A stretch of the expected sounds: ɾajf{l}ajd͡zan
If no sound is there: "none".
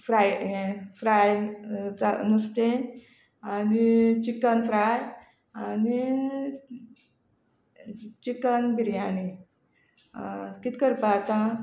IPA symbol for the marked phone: ɾ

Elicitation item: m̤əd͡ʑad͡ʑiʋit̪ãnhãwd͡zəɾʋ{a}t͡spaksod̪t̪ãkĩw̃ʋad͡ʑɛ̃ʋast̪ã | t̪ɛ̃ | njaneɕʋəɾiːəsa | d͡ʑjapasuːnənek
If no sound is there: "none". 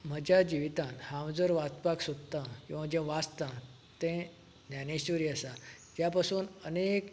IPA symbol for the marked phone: a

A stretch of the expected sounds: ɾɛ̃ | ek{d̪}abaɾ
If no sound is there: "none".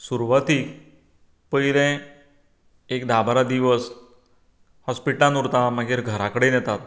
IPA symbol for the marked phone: d̪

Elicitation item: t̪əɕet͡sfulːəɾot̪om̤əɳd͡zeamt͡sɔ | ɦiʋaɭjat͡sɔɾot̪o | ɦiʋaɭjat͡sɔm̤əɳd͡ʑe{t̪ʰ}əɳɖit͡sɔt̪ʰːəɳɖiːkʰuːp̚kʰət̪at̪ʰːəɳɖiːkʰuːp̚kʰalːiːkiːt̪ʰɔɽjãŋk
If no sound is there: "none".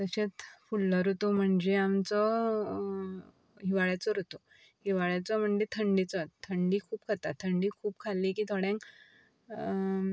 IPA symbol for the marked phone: t̪ʰ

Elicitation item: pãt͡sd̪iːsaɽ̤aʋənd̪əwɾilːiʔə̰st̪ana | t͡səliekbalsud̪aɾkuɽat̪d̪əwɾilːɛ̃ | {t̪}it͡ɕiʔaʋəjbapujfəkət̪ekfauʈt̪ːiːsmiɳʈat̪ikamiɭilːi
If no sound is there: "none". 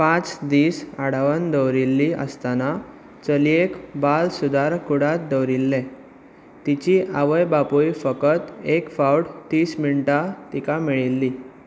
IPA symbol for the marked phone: t̪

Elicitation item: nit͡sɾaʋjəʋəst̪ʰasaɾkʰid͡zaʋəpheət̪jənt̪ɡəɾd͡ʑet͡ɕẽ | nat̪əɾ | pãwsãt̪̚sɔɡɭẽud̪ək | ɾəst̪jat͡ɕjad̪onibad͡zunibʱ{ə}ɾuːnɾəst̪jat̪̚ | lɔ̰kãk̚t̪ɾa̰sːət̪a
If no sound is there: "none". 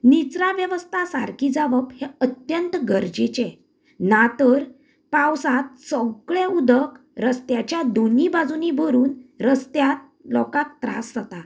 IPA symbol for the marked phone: ə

